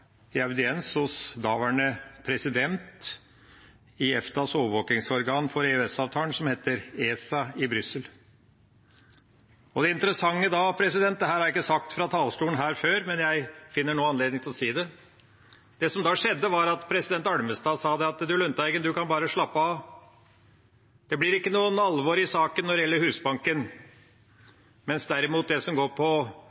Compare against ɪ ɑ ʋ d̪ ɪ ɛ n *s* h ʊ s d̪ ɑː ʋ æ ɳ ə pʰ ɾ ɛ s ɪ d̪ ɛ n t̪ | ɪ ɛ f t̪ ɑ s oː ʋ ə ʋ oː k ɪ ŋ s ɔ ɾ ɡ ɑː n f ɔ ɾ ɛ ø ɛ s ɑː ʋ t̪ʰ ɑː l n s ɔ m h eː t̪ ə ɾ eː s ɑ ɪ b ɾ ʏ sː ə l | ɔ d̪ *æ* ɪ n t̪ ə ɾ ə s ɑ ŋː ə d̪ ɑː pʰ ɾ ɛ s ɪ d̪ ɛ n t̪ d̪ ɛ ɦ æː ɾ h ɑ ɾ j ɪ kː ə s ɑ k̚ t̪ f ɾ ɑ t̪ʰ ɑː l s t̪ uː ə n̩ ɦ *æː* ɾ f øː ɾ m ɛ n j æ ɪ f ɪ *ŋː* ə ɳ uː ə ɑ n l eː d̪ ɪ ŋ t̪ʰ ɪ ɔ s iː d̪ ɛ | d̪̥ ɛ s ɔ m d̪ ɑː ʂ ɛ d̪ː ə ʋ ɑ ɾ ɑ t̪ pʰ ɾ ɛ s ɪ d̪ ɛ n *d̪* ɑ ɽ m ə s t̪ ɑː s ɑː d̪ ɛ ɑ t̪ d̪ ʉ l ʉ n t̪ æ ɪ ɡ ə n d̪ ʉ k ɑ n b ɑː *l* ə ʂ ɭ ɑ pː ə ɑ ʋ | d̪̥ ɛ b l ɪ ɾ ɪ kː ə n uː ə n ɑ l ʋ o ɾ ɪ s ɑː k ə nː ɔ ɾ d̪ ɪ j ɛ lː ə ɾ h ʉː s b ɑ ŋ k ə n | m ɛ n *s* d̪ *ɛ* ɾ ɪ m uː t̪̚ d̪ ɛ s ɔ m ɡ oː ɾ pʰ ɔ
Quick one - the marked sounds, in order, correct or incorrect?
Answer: correct, incorrect, correct, incorrect, incorrect, incorrect, correct, incorrect

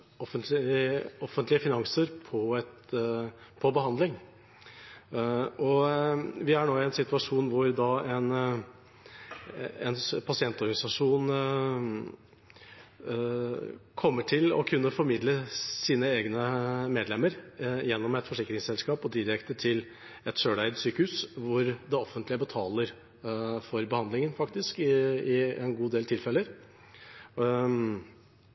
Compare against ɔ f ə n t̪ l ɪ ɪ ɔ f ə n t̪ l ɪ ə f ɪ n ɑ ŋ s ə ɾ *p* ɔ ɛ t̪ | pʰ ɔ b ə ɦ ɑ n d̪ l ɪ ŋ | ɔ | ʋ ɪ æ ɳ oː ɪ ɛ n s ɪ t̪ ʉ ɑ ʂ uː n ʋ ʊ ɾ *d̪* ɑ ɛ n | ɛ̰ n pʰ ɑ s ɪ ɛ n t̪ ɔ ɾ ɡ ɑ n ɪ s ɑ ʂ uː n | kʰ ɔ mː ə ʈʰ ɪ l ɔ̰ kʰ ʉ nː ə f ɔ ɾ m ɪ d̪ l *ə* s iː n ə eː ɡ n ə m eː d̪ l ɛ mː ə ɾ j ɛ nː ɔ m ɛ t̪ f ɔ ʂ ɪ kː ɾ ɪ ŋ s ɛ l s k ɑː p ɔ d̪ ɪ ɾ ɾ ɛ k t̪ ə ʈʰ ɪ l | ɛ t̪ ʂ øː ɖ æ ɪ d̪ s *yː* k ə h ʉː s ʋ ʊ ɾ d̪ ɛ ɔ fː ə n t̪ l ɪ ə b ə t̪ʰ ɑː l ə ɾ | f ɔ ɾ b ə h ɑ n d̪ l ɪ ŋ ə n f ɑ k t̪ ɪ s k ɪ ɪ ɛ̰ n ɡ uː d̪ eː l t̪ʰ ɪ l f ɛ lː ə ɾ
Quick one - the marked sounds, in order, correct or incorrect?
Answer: incorrect, correct, correct, correct

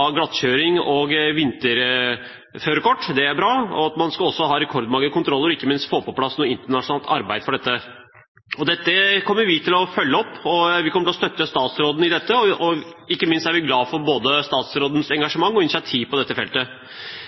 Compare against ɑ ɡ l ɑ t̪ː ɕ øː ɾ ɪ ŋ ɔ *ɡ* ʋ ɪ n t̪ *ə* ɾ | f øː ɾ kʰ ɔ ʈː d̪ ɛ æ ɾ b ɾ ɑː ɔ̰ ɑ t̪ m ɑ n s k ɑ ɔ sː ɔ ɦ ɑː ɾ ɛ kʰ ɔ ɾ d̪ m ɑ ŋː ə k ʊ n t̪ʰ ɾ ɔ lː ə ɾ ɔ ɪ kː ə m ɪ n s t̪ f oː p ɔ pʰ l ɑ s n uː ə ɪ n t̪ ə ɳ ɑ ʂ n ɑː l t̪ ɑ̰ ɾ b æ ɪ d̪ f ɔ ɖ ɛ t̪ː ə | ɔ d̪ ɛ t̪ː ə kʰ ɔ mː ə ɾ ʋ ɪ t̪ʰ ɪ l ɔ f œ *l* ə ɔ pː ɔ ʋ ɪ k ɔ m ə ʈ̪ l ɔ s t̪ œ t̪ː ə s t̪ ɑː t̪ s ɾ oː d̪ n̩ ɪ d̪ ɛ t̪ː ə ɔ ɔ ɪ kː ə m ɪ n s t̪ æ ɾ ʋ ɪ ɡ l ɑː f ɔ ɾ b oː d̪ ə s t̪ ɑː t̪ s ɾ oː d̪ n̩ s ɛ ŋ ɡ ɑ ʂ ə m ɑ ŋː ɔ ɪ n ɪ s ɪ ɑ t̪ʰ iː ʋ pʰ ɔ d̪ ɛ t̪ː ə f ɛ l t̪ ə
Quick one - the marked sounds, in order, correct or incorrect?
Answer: correct, correct, incorrect

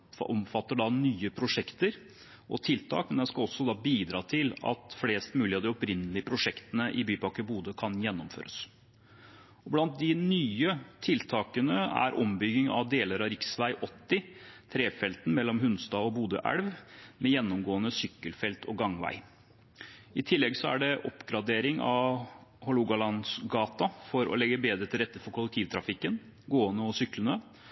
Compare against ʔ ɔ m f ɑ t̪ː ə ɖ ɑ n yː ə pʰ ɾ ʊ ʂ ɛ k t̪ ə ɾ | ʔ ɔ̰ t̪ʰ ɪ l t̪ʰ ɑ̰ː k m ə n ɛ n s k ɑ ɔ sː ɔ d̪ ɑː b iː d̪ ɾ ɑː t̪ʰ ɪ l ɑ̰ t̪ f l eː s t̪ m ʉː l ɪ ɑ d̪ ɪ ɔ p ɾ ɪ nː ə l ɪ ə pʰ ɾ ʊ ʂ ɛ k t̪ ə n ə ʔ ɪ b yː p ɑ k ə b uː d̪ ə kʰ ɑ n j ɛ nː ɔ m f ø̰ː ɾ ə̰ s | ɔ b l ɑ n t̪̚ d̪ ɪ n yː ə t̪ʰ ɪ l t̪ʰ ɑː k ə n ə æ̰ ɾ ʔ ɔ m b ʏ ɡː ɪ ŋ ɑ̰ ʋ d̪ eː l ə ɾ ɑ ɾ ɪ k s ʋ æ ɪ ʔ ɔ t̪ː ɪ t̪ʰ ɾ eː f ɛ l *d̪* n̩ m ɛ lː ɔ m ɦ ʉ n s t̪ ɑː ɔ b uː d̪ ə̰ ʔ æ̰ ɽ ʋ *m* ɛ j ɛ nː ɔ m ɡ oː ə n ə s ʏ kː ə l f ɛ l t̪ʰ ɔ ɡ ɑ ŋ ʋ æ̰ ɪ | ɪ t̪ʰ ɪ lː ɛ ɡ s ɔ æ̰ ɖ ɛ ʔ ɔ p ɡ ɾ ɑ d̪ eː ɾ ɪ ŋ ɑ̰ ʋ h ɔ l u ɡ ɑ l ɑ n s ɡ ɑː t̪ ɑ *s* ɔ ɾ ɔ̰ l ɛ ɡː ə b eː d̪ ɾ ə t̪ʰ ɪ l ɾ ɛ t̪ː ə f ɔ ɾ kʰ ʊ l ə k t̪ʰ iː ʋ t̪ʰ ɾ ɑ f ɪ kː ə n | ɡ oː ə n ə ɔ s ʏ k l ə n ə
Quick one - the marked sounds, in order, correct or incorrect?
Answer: incorrect, correct, incorrect

